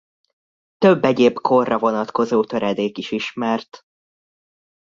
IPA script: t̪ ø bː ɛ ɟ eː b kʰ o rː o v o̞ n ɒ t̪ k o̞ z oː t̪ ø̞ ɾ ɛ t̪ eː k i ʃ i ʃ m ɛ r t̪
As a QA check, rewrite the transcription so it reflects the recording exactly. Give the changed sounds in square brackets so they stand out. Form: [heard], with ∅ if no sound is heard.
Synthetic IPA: t̪ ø bː ɛ ɟ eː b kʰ o rː [ɒ] v o̞ n ɒ t̪ k o̞ z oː t̪ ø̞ ɾ ɛ [d̪] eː k i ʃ i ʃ m ɛ r t̪